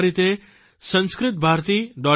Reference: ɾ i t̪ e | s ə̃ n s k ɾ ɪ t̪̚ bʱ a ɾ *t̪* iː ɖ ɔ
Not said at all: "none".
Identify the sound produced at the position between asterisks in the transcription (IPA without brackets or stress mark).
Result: t̪